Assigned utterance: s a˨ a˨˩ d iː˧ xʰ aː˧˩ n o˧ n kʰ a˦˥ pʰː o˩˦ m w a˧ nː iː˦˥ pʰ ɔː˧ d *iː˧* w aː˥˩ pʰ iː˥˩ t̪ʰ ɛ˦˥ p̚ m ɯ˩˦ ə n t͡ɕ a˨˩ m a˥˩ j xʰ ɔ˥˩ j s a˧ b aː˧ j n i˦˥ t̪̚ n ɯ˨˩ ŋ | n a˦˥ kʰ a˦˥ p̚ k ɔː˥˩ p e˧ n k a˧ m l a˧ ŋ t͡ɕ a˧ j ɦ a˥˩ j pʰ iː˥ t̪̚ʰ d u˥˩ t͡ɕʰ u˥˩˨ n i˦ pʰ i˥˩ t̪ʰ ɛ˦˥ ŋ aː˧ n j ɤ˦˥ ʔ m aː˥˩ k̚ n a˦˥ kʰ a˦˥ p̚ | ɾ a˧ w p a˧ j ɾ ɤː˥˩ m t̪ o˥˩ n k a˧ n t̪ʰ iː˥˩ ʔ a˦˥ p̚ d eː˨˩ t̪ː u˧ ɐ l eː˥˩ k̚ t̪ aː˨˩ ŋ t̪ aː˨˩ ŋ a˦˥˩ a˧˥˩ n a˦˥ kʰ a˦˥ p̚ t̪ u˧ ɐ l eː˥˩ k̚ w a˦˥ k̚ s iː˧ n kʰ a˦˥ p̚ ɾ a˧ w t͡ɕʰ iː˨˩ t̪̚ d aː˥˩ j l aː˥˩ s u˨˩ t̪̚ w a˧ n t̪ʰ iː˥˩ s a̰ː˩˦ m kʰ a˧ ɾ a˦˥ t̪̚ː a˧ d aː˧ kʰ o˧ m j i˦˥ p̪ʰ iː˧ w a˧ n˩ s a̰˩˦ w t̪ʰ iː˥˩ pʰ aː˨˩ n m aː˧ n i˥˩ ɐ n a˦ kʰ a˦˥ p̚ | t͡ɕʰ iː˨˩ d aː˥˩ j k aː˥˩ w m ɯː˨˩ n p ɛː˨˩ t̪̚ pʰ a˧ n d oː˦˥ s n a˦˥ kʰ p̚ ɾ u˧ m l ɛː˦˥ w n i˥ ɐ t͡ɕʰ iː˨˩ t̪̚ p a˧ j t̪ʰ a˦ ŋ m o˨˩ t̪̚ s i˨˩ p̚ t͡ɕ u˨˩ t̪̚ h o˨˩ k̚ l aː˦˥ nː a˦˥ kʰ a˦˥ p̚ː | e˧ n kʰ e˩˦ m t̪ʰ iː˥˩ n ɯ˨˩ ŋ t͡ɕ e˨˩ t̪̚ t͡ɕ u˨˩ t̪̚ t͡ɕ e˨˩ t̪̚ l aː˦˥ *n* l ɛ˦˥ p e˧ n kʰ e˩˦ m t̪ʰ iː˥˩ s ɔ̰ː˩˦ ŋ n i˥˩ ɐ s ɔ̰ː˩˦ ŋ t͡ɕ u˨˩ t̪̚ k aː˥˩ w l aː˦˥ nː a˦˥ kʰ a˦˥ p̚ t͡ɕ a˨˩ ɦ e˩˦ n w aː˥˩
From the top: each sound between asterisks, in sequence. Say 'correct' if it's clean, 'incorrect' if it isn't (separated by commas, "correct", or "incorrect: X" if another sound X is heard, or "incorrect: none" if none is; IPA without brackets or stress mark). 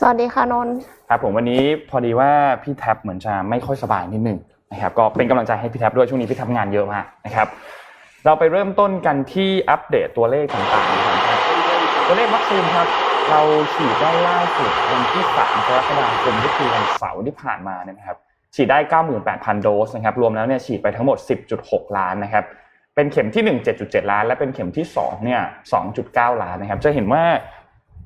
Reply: correct, correct